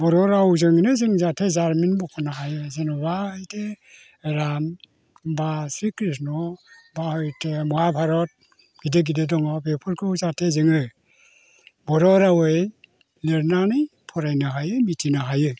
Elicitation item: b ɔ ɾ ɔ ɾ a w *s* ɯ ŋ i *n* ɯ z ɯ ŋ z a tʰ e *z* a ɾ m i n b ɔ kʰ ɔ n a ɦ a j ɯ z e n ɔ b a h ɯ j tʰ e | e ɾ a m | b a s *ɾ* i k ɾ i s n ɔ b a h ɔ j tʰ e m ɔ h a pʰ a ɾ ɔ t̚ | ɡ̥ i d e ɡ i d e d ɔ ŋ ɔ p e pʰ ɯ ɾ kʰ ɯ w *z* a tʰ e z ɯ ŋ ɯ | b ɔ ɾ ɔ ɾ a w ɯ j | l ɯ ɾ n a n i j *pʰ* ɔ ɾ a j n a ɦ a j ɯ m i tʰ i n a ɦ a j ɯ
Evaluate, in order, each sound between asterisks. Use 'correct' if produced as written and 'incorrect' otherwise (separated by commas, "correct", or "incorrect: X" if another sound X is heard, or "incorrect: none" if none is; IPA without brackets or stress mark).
incorrect: z, correct, correct, correct, correct, correct